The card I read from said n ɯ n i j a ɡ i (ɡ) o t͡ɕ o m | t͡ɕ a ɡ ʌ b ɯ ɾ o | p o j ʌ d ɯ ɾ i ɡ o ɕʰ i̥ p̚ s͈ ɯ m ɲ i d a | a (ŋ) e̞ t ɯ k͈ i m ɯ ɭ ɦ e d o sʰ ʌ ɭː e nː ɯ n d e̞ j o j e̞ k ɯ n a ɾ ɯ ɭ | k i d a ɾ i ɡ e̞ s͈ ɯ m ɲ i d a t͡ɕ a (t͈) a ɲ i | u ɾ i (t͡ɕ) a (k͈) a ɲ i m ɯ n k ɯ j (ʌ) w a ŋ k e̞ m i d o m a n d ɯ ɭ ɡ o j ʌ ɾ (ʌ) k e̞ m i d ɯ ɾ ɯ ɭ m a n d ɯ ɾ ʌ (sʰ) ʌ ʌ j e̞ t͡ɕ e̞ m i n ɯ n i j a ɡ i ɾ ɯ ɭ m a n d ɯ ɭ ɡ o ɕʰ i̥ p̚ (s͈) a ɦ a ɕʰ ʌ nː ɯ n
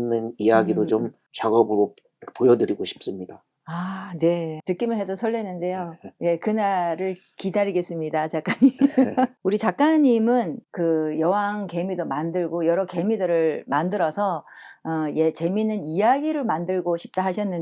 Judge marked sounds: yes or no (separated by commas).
no, no, no, yes, yes, yes, yes, yes, no